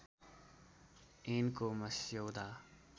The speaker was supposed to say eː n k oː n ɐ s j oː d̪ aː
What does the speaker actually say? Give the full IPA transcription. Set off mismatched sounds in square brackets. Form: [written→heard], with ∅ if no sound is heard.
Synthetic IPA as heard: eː n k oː [n→m] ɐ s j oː d̪ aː